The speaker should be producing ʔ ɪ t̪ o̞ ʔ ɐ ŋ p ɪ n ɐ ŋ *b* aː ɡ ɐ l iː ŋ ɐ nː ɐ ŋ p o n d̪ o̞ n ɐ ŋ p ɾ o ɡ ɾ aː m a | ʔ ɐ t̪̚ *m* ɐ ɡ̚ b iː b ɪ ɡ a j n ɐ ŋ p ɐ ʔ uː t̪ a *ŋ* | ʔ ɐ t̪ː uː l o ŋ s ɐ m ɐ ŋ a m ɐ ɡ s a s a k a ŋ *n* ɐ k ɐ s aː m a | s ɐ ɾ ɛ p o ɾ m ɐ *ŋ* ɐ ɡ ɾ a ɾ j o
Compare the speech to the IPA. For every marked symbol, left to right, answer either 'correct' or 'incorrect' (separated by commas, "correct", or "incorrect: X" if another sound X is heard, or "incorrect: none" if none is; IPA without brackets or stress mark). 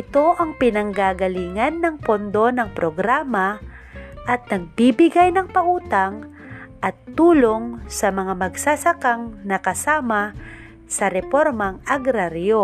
incorrect: ɡ, incorrect: n, correct, correct, correct